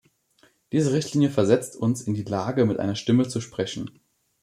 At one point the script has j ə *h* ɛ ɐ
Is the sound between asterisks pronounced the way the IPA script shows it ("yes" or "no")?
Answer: no